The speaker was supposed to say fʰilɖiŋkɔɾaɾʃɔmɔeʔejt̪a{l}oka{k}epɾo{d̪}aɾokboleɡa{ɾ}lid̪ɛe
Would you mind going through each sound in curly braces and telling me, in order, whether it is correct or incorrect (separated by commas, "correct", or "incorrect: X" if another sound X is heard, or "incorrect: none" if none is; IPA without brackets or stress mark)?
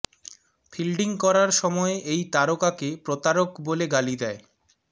incorrect: ɾ, correct, incorrect: t̪, incorrect: none